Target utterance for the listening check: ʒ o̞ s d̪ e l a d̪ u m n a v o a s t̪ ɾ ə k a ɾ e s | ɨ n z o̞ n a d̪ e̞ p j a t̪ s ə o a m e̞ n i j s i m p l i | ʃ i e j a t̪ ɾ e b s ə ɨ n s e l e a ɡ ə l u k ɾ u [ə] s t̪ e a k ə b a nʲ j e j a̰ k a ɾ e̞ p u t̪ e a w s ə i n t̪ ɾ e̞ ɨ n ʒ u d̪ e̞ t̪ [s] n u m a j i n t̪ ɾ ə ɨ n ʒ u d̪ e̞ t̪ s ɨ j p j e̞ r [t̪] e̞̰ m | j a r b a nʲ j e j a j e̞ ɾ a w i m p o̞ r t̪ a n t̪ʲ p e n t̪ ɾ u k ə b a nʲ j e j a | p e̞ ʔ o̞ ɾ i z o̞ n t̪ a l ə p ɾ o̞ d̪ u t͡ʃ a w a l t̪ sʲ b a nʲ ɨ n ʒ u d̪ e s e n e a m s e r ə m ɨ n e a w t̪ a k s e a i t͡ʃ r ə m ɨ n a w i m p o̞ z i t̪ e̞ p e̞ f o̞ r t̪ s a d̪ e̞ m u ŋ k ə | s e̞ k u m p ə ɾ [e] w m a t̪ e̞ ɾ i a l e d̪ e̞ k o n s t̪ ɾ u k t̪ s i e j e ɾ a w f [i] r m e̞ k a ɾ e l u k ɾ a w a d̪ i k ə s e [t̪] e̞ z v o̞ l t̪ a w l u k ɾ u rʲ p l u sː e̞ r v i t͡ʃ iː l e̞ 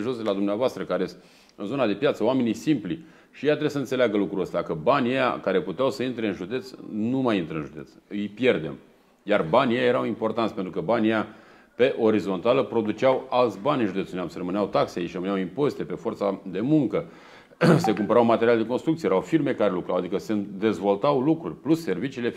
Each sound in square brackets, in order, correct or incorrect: correct, correct, incorrect, incorrect, correct, incorrect

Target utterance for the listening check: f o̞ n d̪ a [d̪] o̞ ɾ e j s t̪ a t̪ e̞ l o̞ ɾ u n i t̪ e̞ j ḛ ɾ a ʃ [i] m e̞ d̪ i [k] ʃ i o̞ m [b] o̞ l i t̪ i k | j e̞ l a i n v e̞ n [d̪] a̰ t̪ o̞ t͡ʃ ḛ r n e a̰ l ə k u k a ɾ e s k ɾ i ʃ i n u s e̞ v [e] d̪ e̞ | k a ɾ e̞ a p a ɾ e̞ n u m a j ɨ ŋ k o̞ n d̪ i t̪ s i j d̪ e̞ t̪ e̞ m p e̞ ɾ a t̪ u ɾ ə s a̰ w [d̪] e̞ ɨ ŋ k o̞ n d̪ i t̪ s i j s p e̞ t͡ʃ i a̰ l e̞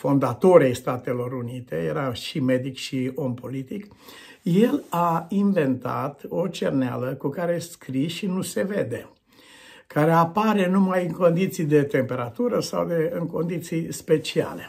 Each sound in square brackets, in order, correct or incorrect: incorrect, correct, correct, incorrect, incorrect, correct, correct

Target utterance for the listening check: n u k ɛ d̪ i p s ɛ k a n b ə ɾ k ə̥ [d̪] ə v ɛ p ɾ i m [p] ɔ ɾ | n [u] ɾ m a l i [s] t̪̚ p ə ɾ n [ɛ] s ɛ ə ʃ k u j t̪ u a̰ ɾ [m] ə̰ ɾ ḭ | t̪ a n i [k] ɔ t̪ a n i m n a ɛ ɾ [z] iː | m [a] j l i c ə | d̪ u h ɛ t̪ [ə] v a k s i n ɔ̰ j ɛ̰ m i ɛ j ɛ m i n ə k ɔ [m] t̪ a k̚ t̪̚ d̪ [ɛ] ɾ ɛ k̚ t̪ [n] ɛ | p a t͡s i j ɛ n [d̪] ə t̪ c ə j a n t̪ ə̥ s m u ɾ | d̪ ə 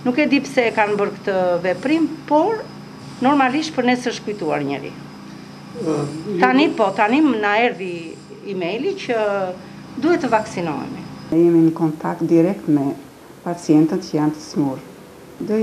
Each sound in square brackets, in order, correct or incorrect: incorrect, correct, incorrect, incorrect, correct, incorrect, incorrect, incorrect, incorrect, correct, incorrect, incorrect, incorrect, incorrect

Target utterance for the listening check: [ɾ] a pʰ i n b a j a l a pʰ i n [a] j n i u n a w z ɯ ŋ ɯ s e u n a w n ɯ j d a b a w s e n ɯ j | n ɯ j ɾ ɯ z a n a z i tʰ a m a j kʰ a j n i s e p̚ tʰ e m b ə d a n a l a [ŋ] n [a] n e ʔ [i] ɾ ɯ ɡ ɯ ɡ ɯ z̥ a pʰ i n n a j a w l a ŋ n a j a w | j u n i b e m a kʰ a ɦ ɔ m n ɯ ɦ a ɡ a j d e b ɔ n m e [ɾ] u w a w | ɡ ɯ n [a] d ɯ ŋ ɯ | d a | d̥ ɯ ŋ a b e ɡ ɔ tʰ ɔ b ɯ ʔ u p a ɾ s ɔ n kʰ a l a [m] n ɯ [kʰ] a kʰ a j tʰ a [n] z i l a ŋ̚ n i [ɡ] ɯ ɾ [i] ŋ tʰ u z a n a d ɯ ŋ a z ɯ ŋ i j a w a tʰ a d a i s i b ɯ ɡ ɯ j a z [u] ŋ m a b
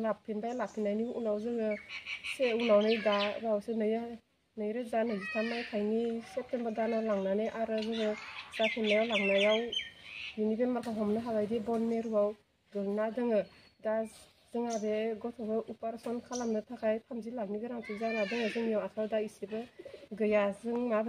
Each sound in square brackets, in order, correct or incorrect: incorrect, correct, correct, correct, incorrect, correct, correct, correct, incorrect, incorrect, correct, incorrect, incorrect

